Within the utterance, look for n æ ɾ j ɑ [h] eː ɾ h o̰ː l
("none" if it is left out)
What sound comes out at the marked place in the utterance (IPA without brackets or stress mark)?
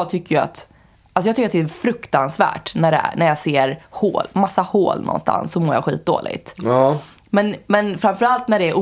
s